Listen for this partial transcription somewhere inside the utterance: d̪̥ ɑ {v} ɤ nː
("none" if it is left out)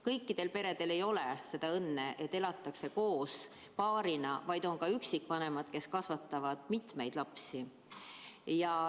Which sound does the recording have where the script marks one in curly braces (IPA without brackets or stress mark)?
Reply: none